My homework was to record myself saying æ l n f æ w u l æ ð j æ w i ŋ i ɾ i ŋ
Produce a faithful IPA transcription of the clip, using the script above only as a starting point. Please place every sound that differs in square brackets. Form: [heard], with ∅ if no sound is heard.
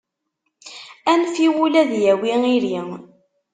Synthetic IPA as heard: æ [∅] n f [i] w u l æ ð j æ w i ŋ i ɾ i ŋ

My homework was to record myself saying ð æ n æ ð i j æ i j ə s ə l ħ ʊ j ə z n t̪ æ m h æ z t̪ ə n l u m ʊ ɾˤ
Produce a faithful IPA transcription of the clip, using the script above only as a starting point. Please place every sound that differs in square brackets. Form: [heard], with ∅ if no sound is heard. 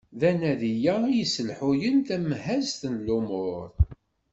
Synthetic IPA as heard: ð æ n æ ð i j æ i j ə s ə l ħ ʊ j ə [∅] n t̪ æ m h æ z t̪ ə n l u m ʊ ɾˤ

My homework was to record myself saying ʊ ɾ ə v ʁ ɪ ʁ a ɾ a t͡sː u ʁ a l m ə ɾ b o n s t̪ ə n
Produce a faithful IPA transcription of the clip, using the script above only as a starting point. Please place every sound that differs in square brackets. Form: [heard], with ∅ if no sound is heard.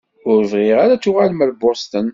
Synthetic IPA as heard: ʊ ɾ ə v ʁ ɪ ʁ a ɾ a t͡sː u ʁ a l m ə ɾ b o [∅] s t̪ ə n

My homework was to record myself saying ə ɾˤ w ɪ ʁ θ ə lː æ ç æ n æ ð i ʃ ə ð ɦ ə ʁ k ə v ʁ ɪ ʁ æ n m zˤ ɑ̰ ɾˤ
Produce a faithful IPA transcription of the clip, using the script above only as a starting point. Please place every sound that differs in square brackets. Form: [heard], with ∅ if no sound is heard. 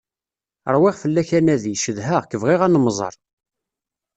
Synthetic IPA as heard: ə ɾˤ w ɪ ʁ [f] ə lː æ ç æ n æ ð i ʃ ə ð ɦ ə ʁ k ə v ʁ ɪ ʁ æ n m zˤ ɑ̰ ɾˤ

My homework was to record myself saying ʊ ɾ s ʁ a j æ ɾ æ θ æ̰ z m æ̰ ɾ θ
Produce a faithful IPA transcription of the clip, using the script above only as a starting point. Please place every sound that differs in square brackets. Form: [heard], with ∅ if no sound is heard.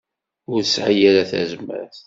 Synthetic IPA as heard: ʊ ɾ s [ʕ] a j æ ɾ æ θ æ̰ z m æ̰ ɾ θ

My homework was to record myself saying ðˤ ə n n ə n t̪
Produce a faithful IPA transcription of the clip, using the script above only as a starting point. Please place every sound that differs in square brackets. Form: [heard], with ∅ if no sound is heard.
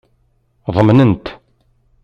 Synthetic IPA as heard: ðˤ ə [m] n ə n t̪

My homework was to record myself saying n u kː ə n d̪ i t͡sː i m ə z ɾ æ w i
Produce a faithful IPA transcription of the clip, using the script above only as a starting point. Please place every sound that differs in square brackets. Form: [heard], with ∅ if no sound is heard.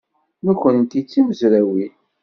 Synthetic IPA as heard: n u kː ə n [t̪] i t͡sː i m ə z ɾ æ w i

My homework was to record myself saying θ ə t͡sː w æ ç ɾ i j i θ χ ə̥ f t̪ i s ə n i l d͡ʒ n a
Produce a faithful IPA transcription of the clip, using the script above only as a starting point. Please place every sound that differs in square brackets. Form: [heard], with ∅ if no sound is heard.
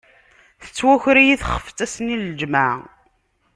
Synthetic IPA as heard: θ ə t͡sː w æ ç ɾ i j i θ χ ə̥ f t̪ [æ] s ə n i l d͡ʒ [m] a

